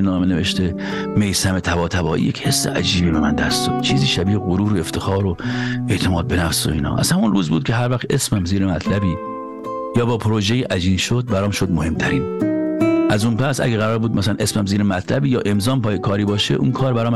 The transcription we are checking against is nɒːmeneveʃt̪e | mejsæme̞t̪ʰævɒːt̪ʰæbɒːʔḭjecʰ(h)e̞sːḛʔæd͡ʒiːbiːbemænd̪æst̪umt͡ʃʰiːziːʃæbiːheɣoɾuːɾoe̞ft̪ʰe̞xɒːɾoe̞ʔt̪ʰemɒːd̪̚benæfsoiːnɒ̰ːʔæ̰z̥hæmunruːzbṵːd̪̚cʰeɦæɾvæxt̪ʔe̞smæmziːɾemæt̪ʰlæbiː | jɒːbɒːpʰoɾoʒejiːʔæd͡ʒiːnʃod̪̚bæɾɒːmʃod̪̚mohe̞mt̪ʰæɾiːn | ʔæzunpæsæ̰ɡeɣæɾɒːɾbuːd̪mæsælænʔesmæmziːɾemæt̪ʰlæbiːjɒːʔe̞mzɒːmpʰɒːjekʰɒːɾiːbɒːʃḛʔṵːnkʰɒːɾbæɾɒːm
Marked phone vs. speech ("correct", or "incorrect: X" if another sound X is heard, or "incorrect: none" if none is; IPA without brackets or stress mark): correct